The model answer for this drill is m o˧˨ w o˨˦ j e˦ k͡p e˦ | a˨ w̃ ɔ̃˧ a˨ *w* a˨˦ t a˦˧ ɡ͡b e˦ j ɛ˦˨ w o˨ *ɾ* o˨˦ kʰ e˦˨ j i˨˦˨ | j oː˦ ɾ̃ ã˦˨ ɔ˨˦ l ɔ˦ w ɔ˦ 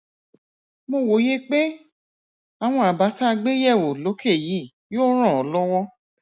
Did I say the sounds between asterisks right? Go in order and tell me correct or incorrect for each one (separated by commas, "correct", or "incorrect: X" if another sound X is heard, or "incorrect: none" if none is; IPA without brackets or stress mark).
incorrect: b, incorrect: l